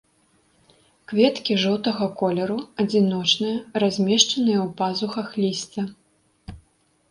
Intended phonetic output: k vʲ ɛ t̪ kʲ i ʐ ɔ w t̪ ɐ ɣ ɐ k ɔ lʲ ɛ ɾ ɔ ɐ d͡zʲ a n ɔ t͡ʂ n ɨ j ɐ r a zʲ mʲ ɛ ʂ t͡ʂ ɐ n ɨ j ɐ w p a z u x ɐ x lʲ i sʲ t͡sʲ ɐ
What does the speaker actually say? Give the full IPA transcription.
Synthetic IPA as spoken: k vʲ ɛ t̪ kʲ i ʐ ɔ w t̪ ɐ ɣ ɐ k ɔ lʲ ɛ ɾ u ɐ d͡zʲ i n ɔ t͡ʂ n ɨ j ɐ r a zʲ mʲ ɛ ʂ t͡ʂ ɐ n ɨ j ɐ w p a z u x ɐ x lʲ i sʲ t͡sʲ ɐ